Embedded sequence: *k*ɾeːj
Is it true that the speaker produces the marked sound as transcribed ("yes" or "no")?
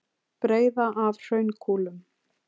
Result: no